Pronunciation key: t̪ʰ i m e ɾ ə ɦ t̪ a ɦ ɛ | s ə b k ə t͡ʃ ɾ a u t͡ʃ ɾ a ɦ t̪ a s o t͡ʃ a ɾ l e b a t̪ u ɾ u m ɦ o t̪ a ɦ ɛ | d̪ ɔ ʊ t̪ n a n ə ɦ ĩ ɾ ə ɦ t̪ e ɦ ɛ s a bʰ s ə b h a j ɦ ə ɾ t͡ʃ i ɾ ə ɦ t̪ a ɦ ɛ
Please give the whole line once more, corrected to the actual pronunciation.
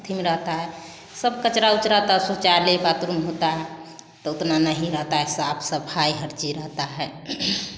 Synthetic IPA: t̪ʰ i m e ɾ ə ɦ t̪ a ɦ ɛ | s ə b k ə t͡ʃ ɾ a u t͡ʃ ɾ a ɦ t̪ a s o t͡ʃ a ɾ l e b a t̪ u ɾ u m ɦ o t̪ a ɦ ɛ | t̪ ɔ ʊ t̪ n a n ə ɦ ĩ ɾ ə ɦ t̪ a ɦ ɛ s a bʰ s ə b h a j ɦ ə ɾ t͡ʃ i ɾ ə ɦ t̪ a ɦ ɛ

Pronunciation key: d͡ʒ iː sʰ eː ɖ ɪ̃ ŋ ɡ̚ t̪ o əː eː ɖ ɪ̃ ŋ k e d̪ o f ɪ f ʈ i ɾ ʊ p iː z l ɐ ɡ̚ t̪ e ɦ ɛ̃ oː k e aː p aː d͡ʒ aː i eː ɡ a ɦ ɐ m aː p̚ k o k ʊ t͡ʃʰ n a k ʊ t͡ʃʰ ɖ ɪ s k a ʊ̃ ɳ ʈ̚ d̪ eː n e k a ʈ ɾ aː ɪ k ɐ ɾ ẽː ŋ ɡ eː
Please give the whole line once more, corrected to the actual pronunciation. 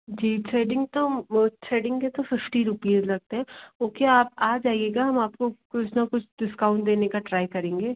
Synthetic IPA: d͡ʒ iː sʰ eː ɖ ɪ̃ ŋ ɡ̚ t̪ o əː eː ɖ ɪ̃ ŋ k e t̪ o f ɪ f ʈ i ɾ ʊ p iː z l ɐ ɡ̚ t̪ e ɦ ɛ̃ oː k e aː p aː d͡ʒ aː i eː ɡ a ɦ ɐ m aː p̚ k o k ʊ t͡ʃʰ n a k ʊ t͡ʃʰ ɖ ɪ s k a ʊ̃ ɳ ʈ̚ d̪ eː n e k a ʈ ɾ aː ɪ k ɐ ɾ ẽː ŋ ɡ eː

